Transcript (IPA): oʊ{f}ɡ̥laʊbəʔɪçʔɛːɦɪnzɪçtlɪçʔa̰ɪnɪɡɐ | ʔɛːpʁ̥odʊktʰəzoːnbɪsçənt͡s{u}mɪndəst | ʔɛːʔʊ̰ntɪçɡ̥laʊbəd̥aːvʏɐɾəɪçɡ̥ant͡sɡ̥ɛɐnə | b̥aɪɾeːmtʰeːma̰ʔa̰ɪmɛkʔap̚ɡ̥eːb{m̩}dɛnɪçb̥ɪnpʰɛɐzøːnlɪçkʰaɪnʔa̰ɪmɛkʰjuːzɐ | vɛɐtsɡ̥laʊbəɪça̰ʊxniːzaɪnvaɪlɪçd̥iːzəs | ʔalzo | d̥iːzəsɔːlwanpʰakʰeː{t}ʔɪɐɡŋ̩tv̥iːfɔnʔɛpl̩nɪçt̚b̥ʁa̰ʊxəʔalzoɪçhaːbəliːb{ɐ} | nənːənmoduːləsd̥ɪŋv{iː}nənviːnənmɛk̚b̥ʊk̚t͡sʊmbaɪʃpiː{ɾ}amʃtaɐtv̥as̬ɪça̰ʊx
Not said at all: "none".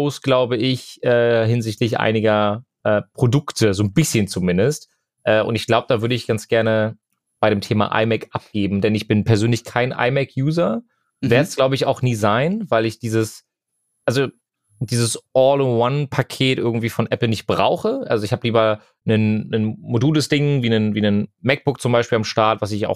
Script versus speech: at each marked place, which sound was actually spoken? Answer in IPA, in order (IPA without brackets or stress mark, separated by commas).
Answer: s, u, m̩, t, ɐ, iː, l